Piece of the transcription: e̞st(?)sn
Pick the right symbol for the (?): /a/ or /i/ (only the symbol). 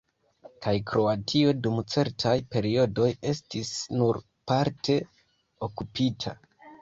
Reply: i